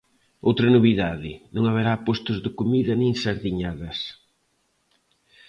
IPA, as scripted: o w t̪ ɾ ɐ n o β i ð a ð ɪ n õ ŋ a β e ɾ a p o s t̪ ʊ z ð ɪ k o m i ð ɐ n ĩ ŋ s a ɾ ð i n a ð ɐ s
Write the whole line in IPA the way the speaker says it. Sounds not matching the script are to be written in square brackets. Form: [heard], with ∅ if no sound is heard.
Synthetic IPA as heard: o w t̪ ɾ ɐ n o β i ð a ð ɪ n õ ŋ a β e ɾ a p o s t̪ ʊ z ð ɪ k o m i ð ɐ n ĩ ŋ s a ɾ ð i [ɲ] a ð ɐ s